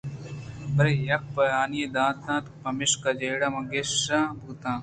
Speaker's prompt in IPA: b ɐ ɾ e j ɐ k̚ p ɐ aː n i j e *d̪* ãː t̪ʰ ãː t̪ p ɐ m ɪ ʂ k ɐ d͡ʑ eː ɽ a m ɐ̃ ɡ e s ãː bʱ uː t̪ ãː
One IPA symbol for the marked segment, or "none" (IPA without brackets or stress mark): d̪